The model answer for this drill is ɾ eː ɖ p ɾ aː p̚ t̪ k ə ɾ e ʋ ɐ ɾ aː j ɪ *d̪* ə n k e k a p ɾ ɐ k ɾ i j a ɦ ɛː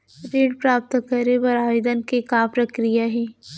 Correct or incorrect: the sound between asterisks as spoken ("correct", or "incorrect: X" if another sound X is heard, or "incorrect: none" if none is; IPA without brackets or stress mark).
correct